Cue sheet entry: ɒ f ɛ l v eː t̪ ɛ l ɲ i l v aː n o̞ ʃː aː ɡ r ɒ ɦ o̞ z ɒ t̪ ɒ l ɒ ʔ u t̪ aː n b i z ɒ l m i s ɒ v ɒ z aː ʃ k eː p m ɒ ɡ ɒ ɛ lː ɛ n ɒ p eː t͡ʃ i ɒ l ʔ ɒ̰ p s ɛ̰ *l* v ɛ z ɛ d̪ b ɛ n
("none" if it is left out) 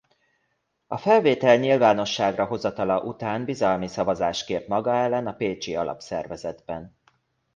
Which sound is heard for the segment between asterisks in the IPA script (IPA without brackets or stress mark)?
r